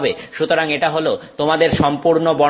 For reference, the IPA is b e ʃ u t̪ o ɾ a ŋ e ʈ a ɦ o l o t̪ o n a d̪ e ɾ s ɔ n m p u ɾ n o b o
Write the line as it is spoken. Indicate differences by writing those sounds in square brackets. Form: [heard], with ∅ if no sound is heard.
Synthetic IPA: b e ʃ u t̪ o ɾ a ŋ e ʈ a ɦ o l o t̪ o [m] a d̪ e ɾ [ʃ] ɔ [∅] m p u ɾ n o b [ɔ]